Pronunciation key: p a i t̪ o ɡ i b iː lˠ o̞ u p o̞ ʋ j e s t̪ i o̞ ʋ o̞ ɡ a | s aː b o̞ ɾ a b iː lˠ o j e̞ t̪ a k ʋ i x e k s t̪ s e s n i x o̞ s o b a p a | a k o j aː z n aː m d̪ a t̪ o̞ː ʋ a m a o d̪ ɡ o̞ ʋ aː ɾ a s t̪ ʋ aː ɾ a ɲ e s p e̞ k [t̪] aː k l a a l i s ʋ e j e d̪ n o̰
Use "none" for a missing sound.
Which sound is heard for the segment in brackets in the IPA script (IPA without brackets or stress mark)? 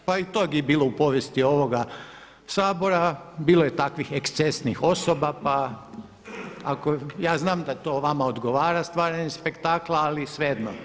t̪